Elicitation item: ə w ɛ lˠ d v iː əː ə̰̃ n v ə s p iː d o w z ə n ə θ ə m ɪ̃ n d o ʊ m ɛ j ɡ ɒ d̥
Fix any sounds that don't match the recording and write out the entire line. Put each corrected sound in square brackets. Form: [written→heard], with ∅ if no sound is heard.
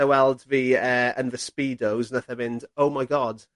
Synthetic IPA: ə w ɛ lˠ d v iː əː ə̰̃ n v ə s p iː d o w z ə n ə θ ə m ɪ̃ n d o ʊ m [ɛ→a] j ɡ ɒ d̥